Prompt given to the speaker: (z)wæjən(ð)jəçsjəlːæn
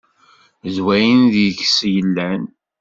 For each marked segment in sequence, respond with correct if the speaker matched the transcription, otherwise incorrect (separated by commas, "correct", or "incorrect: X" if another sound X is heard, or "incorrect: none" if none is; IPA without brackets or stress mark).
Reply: correct, correct